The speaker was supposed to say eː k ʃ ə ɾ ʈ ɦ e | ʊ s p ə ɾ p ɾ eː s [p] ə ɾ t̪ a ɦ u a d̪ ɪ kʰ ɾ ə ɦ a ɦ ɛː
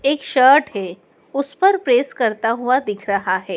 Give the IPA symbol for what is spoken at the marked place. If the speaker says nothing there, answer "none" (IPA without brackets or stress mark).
k